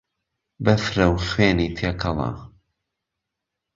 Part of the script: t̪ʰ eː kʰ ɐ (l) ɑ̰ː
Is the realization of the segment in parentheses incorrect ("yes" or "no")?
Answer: no